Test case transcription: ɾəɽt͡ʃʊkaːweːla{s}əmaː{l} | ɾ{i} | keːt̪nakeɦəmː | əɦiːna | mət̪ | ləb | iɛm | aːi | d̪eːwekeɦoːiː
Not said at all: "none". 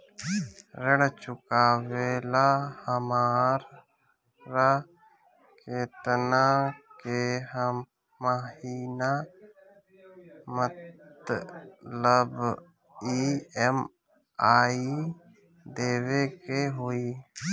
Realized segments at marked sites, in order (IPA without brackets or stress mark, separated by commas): h, ɾ, a